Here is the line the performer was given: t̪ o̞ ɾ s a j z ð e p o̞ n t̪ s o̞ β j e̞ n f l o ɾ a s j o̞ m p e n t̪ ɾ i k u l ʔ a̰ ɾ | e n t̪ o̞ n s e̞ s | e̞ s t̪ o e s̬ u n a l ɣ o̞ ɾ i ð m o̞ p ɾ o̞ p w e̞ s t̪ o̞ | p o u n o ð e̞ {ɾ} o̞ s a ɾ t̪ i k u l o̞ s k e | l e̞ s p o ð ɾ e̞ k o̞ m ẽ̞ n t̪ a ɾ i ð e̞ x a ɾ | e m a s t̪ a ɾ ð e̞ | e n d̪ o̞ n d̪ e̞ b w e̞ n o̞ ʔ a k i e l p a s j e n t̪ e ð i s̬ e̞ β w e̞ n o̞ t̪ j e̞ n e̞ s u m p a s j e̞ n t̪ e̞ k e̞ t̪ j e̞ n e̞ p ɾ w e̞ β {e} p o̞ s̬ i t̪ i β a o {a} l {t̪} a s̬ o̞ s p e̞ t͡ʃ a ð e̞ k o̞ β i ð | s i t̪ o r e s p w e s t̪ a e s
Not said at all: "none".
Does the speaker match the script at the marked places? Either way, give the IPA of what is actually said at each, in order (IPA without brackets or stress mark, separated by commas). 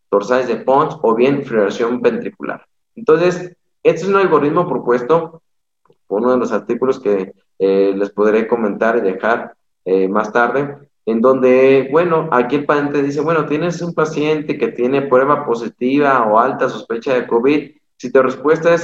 l, a, a, t̪